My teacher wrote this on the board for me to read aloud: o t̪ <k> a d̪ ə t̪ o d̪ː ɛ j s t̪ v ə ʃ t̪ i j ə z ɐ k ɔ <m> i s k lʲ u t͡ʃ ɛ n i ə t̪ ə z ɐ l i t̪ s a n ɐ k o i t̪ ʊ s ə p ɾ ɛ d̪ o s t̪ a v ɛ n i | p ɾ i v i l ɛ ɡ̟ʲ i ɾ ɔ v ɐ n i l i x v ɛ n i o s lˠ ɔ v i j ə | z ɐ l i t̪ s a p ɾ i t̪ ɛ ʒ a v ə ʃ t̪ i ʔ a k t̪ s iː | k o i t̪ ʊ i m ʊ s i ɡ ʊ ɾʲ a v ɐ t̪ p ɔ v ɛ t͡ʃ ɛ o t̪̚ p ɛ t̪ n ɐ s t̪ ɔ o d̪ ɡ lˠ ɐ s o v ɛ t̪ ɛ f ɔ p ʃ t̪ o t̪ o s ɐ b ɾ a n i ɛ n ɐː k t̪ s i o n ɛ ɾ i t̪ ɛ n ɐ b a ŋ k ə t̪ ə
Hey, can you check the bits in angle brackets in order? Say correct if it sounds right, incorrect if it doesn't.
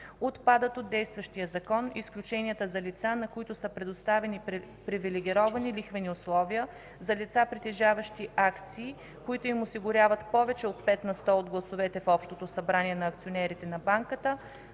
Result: incorrect: p, incorrect: n

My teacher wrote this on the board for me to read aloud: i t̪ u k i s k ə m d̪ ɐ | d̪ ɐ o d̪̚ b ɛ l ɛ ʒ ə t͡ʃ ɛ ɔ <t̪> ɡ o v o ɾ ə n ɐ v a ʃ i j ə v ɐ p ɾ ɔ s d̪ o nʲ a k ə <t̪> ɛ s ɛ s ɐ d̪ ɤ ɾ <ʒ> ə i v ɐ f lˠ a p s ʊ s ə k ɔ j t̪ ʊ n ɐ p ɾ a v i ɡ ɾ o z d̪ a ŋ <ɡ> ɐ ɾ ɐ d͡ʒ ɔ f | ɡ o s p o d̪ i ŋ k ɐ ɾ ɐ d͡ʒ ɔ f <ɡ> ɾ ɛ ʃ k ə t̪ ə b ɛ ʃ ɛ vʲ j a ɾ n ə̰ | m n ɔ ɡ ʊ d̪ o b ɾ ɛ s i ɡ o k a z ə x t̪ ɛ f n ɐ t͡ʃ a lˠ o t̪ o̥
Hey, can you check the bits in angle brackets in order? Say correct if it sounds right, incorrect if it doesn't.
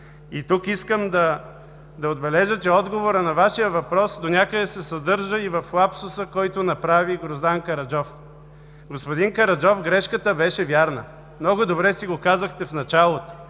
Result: incorrect: d̪, incorrect: d̪, correct, incorrect: k, correct

